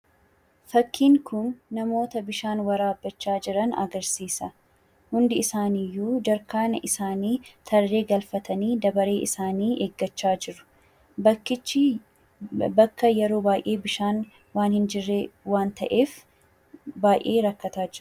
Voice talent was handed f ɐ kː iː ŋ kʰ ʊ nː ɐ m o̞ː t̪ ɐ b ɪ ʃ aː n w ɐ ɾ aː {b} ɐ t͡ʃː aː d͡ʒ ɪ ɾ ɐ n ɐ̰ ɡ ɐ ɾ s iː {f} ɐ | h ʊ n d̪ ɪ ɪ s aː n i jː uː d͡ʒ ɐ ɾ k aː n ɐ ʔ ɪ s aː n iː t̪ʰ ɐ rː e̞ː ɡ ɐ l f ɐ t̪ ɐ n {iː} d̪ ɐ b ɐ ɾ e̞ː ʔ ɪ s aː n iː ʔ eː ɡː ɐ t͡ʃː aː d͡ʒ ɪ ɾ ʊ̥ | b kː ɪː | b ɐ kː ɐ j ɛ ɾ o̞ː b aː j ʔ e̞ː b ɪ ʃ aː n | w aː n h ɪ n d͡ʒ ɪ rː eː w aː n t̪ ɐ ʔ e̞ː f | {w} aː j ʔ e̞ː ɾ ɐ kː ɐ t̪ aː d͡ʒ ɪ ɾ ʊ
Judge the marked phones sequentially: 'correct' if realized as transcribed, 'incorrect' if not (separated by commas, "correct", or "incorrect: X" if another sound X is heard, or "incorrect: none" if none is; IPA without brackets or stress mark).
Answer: incorrect: bː, incorrect: s, correct, incorrect: b